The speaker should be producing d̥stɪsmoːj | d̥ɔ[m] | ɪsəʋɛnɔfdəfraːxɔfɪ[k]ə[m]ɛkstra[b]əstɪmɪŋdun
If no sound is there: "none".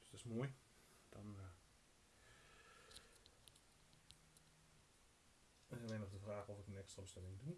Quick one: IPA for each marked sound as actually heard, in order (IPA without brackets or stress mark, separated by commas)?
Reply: n, k, n, b